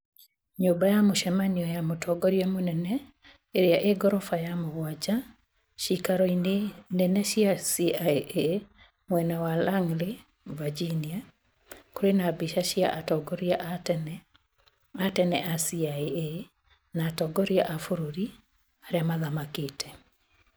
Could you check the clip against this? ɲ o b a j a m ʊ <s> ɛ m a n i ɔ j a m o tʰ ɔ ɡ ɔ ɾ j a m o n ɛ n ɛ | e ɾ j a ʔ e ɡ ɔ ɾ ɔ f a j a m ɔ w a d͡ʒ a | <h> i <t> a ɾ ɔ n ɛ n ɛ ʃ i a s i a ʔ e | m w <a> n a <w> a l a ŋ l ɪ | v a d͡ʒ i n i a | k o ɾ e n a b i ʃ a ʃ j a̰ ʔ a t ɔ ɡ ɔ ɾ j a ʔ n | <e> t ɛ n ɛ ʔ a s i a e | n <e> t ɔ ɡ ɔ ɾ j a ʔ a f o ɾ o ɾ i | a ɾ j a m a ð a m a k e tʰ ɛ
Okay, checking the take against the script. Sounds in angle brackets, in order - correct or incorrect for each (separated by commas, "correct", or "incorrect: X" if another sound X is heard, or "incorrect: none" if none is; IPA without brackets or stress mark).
incorrect: ʃ, incorrect: ʃ, incorrect: k, incorrect: ɛ, correct, incorrect: a, incorrect: a